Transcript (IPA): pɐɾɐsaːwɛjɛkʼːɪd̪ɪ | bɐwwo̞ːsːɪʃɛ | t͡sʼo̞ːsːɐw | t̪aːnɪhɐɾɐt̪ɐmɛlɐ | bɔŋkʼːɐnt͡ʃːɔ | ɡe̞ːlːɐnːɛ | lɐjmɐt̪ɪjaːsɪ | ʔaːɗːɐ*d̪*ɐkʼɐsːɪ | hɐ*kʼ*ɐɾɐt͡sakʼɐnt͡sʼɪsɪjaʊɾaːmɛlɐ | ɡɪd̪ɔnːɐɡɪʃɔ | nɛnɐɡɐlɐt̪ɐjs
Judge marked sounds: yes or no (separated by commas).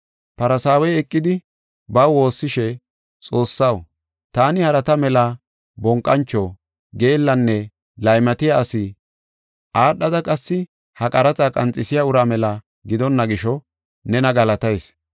yes, yes